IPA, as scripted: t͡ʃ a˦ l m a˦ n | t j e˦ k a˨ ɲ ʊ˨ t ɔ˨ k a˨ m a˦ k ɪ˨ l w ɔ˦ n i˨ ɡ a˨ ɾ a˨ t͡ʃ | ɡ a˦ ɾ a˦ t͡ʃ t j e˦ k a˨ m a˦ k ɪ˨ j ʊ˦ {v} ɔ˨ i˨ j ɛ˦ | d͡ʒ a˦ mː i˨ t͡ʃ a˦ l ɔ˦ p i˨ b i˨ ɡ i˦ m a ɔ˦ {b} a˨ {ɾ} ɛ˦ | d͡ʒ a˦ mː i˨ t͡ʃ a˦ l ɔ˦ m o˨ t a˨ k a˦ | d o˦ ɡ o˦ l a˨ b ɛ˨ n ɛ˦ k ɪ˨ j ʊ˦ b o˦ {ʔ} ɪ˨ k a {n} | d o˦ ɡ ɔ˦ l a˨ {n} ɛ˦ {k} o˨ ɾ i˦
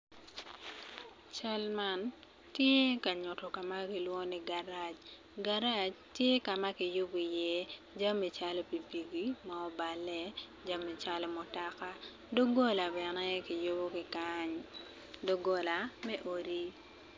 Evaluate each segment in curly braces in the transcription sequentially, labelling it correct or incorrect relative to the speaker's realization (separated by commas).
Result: incorrect, correct, incorrect, incorrect, incorrect, incorrect, incorrect